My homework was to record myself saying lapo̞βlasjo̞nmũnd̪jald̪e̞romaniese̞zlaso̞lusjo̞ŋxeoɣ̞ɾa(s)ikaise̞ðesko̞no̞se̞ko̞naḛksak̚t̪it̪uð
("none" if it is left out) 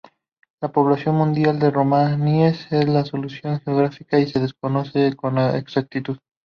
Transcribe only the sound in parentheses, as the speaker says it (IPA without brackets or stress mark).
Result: f